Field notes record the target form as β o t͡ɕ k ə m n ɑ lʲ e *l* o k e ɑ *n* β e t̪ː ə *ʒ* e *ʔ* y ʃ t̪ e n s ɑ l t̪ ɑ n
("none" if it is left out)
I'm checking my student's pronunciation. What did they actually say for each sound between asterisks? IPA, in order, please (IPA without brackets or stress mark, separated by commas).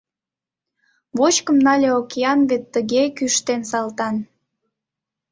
none, n, ɣ, k